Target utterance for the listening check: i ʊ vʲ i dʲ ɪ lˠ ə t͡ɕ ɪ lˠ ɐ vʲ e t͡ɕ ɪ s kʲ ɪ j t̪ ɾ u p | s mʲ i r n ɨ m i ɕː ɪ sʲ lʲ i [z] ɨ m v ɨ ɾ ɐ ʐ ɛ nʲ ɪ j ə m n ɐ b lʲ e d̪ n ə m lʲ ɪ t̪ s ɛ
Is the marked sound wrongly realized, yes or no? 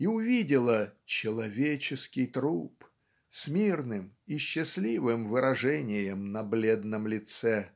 yes